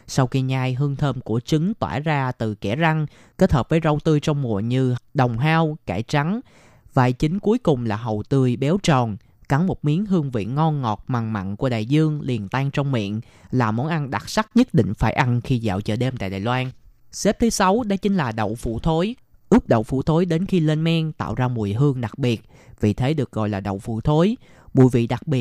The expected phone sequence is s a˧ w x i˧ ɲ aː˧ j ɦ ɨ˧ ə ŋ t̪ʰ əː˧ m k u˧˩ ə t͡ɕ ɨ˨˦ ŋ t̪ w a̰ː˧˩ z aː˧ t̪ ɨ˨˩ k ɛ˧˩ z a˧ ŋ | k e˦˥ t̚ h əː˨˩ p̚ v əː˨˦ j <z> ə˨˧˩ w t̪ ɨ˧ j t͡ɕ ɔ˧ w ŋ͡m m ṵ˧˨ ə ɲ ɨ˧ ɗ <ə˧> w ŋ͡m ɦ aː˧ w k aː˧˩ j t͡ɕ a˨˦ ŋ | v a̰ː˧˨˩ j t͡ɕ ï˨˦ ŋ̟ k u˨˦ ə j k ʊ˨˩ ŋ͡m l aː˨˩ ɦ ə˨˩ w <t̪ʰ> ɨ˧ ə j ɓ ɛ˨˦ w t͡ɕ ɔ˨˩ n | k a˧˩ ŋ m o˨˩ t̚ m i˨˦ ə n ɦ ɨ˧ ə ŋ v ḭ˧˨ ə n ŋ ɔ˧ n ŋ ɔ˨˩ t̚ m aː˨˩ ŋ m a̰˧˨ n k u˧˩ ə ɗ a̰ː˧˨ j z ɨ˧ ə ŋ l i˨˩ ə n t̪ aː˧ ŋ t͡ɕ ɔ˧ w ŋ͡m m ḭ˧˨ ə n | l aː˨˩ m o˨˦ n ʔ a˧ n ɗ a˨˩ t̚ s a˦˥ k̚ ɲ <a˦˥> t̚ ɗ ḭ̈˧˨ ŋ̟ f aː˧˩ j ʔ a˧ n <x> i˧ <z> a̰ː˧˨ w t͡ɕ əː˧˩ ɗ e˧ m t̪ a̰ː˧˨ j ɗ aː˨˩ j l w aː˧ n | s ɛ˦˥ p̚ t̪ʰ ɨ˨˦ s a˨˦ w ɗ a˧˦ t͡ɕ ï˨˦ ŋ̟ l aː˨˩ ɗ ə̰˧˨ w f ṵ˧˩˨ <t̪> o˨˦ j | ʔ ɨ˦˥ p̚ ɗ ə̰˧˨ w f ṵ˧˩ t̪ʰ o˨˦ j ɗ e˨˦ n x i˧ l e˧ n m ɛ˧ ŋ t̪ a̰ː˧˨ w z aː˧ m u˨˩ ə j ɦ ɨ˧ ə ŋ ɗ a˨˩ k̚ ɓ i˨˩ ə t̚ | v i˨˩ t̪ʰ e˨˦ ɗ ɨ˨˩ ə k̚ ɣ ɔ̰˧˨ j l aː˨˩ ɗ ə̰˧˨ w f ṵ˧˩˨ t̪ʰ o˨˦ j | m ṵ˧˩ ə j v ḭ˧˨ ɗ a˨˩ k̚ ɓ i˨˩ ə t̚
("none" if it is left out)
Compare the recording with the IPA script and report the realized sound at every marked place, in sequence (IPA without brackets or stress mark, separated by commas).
z, ə˨˩, t̪, ə˦˥, x, z, t̪ʰ